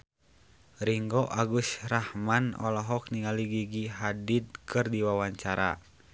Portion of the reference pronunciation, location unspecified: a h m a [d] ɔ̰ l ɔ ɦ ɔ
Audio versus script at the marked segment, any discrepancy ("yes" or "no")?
yes